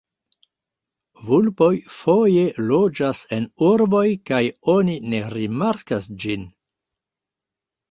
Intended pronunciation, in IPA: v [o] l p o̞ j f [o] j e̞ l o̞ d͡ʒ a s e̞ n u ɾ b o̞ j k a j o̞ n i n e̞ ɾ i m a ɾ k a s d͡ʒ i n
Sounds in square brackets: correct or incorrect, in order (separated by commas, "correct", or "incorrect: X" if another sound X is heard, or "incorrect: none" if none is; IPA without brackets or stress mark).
incorrect: u, correct